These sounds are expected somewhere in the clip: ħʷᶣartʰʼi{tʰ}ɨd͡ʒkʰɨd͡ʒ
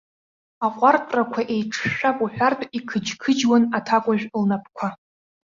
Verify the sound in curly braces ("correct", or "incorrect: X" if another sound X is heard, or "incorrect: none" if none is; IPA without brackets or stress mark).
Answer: incorrect: kʰ